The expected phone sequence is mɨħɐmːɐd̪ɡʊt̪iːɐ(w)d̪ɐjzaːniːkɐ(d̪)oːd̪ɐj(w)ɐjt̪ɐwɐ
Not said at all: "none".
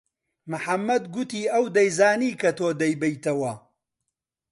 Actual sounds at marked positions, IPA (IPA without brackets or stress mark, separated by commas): w, t̪, b